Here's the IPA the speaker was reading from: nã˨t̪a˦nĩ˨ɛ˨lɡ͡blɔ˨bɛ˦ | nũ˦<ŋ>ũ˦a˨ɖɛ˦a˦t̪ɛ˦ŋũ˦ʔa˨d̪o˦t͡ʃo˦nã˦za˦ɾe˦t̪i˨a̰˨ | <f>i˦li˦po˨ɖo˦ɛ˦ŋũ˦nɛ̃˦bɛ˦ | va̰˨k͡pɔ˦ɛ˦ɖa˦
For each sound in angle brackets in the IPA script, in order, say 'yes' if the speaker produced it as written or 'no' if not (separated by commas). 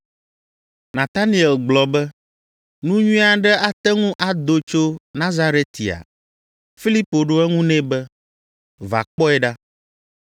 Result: no, yes